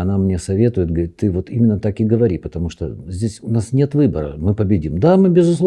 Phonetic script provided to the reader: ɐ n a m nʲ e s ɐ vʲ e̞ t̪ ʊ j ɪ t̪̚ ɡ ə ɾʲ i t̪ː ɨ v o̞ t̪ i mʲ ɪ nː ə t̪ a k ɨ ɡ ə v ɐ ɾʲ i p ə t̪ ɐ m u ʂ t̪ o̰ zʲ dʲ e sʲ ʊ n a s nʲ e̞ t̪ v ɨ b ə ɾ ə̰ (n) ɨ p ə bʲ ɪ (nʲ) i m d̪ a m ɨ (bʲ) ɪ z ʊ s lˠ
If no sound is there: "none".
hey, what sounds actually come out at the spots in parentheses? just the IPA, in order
m, dʲ, bʲ

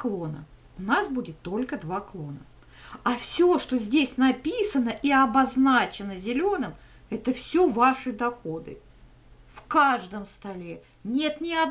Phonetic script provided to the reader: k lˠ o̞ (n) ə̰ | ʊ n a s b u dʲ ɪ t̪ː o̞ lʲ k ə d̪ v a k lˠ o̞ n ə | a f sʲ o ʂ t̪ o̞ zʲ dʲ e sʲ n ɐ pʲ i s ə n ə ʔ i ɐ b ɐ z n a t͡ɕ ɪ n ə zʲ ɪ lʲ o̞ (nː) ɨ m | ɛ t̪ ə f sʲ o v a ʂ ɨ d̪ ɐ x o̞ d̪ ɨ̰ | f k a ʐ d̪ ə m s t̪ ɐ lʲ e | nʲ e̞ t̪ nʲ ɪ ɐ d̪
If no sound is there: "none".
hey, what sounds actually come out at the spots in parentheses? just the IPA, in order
n, n

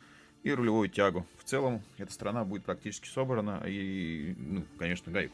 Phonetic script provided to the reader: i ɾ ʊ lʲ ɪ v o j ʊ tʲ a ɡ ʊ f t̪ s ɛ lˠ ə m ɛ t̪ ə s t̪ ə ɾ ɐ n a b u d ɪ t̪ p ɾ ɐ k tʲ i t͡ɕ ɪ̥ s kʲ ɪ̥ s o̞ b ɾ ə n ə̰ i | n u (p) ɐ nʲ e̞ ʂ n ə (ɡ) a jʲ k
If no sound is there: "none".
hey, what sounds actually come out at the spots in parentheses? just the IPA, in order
k, ɡ

